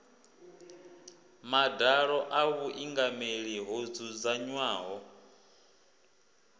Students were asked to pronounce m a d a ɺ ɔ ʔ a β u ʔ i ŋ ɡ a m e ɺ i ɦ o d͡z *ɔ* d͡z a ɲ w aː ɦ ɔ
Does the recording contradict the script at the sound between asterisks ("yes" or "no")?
yes